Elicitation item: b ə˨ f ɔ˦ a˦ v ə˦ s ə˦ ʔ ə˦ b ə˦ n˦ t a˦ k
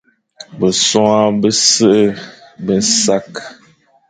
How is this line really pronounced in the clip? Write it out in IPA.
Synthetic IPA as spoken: b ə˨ s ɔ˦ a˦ b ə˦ s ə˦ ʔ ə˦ b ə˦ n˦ s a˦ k